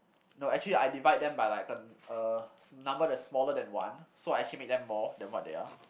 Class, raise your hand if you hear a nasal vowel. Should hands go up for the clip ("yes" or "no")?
yes